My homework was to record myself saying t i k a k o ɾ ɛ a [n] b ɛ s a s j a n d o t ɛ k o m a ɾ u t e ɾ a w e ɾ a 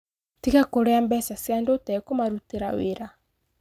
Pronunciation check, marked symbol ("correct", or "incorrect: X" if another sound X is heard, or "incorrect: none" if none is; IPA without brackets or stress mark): incorrect: m